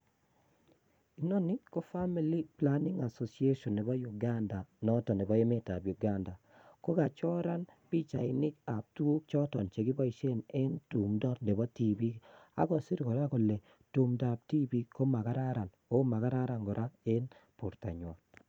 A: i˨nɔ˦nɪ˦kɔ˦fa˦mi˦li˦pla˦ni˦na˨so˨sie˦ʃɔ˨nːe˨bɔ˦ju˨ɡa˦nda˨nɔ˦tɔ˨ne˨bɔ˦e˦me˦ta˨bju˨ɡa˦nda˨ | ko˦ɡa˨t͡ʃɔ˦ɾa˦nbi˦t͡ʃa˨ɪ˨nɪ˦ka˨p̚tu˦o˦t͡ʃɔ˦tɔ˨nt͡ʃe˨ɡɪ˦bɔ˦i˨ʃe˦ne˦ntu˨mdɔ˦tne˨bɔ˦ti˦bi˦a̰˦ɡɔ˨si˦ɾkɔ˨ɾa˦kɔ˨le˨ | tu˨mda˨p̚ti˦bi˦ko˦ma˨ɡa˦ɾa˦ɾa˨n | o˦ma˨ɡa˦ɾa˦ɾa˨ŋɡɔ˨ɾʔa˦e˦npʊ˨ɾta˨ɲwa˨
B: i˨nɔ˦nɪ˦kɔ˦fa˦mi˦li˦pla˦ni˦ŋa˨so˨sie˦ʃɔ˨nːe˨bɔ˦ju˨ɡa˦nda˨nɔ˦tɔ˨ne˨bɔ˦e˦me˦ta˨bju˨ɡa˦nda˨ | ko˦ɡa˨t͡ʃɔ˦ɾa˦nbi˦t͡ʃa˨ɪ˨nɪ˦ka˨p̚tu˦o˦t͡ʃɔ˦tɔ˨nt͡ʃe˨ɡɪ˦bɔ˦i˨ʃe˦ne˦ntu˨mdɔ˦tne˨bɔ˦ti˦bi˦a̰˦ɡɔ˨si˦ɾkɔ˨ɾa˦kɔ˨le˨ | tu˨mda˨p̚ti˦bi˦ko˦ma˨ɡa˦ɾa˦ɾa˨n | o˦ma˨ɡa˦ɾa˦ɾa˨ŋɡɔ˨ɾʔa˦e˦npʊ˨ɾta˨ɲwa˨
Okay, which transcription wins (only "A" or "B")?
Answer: B